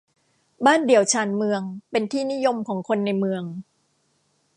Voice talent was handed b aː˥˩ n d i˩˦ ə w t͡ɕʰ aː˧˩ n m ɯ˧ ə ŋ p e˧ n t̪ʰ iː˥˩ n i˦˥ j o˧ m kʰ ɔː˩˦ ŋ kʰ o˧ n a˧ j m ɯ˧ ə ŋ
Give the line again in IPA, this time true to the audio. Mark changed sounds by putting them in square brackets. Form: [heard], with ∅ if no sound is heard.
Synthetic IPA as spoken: b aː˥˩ n d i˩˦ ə w t͡ɕʰ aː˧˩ n m ɯ˧ ə ŋ p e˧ n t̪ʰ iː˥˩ n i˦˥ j o˧ m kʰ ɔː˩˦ ŋ kʰ o˧ [nː] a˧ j m ɯ˧ ə ŋ